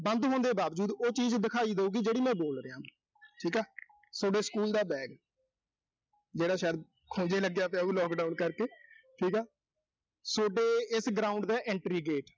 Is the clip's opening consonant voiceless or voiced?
voiced